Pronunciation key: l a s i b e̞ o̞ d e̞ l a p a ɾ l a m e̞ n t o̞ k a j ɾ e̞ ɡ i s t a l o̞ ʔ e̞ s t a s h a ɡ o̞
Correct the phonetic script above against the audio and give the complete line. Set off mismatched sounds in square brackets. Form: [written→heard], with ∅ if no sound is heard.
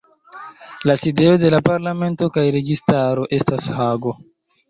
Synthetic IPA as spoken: l a s i [b→d] e̞ o̞ d e̞ l a p a ɾ l a m e̞ n t o̞ k a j ɾ e̞ ɡ i s t a [l→ɾ] o̞ ʔ e̞ s t a s h a ɡ o̞